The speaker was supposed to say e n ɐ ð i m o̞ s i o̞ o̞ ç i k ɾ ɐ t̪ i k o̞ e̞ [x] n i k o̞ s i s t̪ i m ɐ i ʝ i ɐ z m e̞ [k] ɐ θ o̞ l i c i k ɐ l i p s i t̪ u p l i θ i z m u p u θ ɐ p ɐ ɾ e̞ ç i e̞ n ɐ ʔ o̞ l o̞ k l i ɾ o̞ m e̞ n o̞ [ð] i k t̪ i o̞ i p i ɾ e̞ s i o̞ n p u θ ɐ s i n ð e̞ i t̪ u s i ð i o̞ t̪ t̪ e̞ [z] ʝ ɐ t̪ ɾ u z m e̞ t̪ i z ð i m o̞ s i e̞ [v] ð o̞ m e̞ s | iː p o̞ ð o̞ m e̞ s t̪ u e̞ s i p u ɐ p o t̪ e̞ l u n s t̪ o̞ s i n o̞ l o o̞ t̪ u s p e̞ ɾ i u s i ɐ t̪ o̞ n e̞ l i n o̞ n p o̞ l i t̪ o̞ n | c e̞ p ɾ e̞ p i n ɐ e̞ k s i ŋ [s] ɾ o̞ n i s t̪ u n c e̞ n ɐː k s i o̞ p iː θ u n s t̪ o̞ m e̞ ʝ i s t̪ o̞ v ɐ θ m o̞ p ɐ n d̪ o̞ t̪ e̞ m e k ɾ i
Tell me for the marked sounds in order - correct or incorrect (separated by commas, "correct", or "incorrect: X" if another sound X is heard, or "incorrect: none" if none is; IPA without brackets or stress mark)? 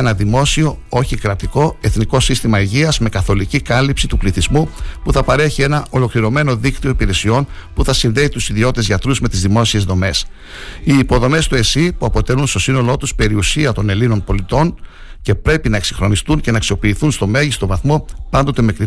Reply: incorrect: θ, correct, correct, correct, incorrect: z, incorrect: x